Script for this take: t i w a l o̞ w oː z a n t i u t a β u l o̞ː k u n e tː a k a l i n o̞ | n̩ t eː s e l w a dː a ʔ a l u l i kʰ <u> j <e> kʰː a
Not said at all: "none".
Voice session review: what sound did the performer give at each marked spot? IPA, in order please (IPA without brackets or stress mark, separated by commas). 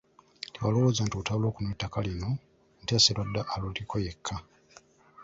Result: o, e